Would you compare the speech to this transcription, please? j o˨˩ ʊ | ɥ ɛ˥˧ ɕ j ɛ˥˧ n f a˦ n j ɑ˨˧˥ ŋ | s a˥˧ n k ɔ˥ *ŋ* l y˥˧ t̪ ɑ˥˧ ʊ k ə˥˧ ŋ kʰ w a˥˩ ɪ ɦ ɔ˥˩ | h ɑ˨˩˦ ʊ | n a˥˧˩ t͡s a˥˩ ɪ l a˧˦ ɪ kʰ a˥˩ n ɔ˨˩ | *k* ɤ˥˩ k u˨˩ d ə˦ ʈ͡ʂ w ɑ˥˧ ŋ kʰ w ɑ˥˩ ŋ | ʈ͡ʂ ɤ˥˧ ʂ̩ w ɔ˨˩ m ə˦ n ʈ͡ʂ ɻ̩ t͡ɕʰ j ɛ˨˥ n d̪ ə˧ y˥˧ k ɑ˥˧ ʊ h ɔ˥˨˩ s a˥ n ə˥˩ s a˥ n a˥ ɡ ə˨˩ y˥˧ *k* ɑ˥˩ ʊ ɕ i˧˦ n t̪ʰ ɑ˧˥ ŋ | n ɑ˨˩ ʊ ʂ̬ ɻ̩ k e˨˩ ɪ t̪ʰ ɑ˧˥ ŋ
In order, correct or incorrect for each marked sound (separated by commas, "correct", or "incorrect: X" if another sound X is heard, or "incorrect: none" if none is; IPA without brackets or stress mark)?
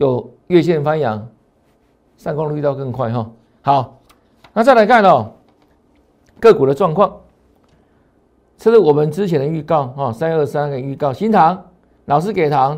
correct, correct, correct